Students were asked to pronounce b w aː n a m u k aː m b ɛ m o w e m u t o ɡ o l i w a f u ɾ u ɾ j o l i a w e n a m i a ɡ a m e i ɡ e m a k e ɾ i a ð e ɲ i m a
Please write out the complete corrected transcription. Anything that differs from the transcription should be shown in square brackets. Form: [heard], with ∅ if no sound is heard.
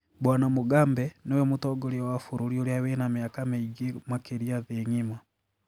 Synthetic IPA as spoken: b w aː n a m u [ɡ] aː m b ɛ [n] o w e m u t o ɡ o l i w a f u ɾ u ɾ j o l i a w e n a m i a [k] a m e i ɡ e m a k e ɾ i a ð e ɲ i m a